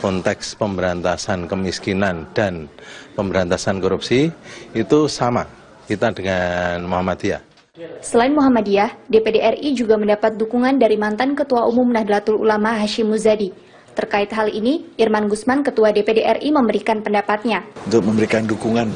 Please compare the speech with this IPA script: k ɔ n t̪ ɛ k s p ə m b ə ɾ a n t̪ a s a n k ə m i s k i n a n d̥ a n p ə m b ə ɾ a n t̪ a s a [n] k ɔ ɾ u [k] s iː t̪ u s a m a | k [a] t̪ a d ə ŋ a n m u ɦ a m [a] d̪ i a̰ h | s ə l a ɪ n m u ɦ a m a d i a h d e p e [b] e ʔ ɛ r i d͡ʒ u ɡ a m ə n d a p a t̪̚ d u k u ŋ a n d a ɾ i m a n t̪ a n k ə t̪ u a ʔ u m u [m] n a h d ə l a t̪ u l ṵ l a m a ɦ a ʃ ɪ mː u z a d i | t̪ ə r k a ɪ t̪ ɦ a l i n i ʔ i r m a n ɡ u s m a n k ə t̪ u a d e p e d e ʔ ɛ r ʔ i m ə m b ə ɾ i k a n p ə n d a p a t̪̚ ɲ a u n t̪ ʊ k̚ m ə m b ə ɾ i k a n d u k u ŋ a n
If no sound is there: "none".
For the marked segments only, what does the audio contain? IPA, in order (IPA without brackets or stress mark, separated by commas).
n, p, i, a, d, m